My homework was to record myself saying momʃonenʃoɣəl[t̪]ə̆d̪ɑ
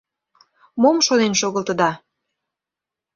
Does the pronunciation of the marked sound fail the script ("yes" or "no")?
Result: no